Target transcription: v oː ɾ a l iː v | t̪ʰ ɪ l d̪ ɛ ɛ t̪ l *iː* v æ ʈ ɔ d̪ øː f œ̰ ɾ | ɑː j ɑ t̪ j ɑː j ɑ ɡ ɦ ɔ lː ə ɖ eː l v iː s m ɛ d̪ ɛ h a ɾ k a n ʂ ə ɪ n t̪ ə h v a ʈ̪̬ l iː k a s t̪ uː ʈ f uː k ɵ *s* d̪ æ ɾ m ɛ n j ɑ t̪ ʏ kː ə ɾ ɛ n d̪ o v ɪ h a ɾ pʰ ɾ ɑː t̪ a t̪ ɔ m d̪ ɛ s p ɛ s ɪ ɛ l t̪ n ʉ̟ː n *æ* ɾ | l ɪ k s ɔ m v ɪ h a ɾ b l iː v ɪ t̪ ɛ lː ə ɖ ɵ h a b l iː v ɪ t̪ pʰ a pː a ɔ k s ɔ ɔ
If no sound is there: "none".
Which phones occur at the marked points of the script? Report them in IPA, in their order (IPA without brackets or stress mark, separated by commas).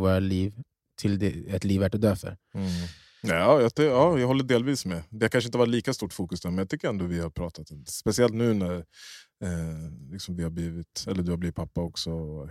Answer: iː, s, æ